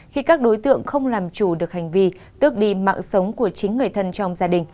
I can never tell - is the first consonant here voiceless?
yes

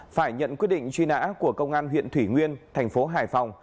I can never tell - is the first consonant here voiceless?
yes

